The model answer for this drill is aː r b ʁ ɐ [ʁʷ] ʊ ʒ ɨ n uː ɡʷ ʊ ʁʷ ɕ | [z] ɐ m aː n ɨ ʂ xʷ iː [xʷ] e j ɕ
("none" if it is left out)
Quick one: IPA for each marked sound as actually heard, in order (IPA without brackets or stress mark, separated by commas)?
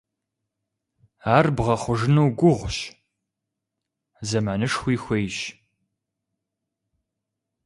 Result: χʷ, z, xʷ